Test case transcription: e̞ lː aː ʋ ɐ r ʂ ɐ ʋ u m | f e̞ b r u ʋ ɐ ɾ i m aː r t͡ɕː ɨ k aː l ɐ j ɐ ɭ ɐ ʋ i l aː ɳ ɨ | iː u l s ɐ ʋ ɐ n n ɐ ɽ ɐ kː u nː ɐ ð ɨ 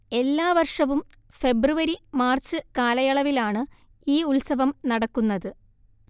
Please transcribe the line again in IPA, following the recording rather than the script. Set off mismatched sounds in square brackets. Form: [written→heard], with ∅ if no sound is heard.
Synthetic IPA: e̞ lː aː ʋ ɐ r ʂ ɐ ʋ u m | f e̞ b r u ʋ ɐ ɾ i m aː r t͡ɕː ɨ k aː l ɐ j ɐ ɭ ɐ ʋ i l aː ɳ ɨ | iː u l s ɐ ʋ ɐ [n→m] n ɐ ɽ ɐ kː u nː ɐ ð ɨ

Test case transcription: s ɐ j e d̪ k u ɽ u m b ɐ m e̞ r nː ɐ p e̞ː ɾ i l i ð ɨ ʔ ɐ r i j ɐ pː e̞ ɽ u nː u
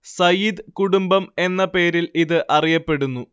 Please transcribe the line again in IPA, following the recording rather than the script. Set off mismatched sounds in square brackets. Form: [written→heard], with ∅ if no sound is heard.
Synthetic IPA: s ɐ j [e→i] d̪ k u ɽ u m b ɐ m e̞ [r→∅] nː ɐ p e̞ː ɾ i l i ð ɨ ʔ ɐ r i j ɐ pː e̞ ɽ u nː u

